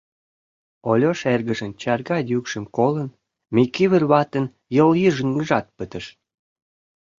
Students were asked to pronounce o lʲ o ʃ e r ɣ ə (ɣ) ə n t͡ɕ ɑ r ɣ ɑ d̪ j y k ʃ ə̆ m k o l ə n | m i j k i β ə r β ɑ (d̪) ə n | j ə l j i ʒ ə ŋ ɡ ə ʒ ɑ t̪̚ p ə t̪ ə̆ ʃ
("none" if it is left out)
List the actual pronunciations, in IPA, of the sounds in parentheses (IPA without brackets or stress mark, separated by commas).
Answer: ʒ, t̪